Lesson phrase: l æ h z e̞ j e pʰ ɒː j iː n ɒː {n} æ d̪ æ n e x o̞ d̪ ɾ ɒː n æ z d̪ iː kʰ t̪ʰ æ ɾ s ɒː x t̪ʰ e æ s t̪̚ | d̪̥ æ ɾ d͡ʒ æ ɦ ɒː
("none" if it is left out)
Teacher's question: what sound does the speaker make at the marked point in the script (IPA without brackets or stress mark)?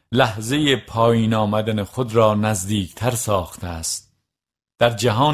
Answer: m